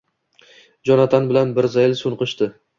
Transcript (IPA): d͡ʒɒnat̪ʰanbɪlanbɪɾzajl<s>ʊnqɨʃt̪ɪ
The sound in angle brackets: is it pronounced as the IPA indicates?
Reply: yes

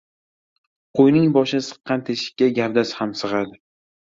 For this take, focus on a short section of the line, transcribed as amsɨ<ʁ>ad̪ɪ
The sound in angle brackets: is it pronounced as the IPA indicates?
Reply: yes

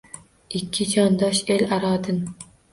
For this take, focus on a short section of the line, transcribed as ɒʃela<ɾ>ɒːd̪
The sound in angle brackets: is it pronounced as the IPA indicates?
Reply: yes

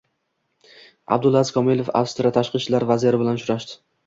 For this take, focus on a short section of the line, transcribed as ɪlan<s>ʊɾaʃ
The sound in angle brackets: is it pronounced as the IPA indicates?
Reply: no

